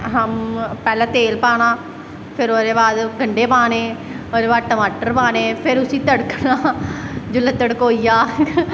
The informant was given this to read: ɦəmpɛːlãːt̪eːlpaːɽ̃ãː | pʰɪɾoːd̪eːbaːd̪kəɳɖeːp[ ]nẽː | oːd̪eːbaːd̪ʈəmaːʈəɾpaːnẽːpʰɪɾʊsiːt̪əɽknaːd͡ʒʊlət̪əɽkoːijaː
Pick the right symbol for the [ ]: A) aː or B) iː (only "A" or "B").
A